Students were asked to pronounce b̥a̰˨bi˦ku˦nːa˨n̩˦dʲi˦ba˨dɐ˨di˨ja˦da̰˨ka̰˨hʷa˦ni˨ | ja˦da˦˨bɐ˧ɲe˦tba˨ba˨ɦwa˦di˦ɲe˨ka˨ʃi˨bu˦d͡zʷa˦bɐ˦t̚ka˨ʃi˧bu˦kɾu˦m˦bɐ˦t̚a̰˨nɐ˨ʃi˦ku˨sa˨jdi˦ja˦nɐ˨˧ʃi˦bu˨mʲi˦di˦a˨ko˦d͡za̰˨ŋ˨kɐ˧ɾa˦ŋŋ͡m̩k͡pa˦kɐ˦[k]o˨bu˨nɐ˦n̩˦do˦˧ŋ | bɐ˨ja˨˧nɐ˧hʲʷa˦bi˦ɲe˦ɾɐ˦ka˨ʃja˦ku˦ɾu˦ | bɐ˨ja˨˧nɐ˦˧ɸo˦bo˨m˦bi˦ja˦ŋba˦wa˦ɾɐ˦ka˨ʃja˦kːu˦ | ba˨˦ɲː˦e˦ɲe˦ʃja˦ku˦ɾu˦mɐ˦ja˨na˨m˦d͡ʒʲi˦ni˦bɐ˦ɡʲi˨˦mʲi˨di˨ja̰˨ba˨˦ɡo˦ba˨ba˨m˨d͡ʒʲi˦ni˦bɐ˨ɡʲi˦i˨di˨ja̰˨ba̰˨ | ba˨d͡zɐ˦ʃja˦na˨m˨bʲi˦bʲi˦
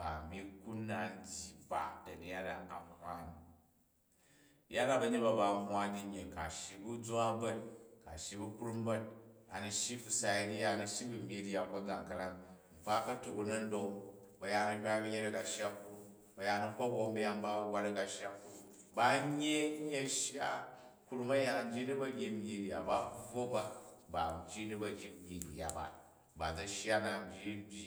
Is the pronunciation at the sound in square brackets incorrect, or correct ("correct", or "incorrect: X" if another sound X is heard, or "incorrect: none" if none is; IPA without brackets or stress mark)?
incorrect: t